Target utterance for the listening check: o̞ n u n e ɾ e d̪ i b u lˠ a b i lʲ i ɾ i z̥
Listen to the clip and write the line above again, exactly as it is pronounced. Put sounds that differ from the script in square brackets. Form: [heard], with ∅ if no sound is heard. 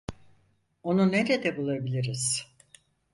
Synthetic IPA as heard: o̞ n u n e ɾ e d̪ [ɛ] b u lˠ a b i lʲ i ɾ i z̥